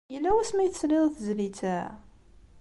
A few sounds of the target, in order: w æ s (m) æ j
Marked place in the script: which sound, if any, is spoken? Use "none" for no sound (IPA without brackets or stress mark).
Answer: m